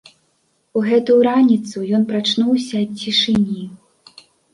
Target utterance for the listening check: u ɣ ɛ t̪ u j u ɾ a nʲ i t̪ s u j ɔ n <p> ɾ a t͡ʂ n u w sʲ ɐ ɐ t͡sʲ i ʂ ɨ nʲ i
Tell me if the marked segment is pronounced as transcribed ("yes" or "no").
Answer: yes